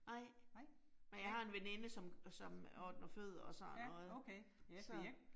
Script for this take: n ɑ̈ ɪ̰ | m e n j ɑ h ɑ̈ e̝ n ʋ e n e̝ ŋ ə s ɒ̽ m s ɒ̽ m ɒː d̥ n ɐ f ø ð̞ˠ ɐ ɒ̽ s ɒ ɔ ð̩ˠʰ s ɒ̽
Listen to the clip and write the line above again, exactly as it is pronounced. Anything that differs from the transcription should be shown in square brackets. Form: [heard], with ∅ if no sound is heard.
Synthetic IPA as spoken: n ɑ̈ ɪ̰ | m e n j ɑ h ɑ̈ e̝ n ʋ e n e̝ [n] ə s ɒ̽ m s ɒ̽ m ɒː d̥ n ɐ f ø ð̞ˠ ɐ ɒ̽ s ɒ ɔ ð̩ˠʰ s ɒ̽